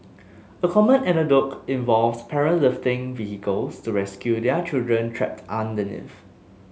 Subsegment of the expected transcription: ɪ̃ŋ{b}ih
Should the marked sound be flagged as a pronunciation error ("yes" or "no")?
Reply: yes